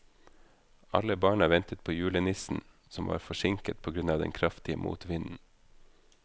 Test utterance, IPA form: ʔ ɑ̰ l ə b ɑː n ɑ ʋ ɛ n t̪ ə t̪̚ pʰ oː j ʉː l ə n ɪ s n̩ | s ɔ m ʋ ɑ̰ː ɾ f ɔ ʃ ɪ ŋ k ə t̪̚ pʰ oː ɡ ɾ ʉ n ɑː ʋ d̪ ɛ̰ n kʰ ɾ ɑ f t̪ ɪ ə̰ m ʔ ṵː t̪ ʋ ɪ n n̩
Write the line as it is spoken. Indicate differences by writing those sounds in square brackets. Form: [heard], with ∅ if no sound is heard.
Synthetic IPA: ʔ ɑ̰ l ə b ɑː [ɳ] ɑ ʋ ɛ n t̪ ə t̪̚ pʰ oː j ʉː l ə n ɪ s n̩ | s ɔ m ʋ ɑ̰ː ɾ f ɔ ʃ ɪ ŋ k ə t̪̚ pʰ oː ɡ ɾ ʉ n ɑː ʋ d̪ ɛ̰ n kʰ ɾ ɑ f t̪ ɪ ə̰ m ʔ ṵː t̪ ʋ ɪ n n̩